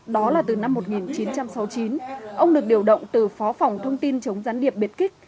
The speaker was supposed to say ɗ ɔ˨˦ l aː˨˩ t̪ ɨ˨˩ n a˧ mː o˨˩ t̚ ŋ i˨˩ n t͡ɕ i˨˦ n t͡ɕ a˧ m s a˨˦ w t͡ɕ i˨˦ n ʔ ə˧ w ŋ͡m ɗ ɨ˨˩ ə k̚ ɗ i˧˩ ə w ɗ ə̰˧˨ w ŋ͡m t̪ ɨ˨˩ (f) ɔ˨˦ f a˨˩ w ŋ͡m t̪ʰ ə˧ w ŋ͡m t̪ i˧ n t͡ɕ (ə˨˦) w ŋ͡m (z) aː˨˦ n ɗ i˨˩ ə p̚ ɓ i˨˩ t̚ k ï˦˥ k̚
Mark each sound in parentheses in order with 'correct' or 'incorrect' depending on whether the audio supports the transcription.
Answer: correct, correct, correct

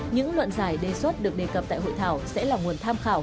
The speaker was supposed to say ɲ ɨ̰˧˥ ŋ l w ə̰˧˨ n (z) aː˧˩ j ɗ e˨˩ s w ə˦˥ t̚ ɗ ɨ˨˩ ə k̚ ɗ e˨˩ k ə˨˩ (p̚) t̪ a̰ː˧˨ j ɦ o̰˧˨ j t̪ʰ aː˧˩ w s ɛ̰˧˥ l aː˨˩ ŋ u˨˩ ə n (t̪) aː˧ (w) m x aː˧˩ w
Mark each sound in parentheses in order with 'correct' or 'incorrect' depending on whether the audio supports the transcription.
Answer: correct, correct, incorrect: t̪ʰ, incorrect: none

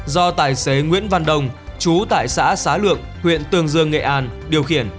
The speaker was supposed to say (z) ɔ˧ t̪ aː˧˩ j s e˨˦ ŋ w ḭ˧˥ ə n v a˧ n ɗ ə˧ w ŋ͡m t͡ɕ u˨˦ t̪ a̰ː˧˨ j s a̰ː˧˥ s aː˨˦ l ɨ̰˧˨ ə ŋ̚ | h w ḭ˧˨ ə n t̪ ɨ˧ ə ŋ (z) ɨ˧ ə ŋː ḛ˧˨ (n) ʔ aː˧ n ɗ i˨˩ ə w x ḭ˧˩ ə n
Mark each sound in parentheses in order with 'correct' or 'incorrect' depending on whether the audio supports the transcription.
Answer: correct, correct, incorrect: none

